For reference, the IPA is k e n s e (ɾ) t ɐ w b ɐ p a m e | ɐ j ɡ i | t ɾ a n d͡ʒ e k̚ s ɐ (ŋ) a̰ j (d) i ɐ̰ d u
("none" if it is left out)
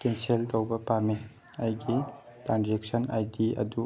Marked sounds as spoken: l, n, d

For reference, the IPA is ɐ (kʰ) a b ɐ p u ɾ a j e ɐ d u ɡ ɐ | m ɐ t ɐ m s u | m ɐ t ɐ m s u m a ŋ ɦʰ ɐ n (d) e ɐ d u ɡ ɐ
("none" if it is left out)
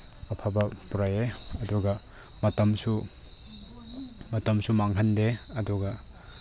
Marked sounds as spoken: pʰ, d

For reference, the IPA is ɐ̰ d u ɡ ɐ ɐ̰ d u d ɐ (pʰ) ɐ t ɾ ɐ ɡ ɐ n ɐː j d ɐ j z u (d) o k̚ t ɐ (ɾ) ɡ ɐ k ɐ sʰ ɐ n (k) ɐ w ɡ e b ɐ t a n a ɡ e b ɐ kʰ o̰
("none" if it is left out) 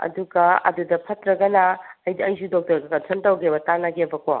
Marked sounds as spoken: pʰ, d, ɾ, t

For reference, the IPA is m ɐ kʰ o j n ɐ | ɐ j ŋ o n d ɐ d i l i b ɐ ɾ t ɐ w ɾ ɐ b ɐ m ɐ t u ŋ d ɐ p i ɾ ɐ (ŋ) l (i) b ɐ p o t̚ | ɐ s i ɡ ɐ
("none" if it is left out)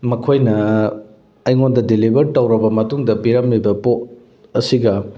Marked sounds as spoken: m, i

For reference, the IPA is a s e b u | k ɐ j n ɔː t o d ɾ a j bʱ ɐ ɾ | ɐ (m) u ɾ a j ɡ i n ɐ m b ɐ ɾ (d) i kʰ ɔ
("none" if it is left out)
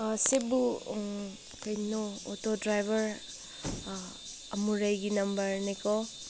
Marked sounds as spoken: m, n

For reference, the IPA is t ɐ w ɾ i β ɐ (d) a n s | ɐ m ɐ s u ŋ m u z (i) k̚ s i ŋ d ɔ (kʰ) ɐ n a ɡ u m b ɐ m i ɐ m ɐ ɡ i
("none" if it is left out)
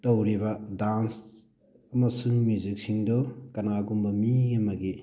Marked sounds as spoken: d, i, k

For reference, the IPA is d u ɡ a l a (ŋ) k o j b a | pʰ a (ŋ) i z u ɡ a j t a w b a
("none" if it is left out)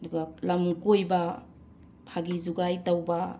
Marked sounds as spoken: m, ɡ

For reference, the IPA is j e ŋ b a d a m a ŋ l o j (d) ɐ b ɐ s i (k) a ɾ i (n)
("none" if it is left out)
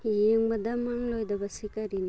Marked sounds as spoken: d, k, n

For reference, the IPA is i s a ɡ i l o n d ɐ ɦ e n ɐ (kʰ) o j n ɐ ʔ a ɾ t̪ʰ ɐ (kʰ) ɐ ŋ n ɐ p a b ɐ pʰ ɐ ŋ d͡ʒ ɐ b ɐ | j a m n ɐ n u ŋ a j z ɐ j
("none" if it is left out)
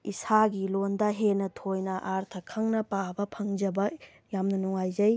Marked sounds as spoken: tʰ, kʰ

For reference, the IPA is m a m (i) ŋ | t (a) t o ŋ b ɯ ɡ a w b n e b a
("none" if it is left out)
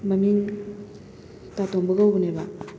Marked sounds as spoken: i, a

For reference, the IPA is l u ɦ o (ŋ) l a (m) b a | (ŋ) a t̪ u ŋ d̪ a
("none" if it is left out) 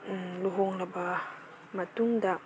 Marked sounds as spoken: ŋ, none, m

